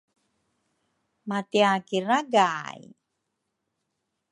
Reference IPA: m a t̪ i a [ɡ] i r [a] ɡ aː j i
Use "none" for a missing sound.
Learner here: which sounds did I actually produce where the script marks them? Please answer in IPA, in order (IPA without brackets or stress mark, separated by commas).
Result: k, a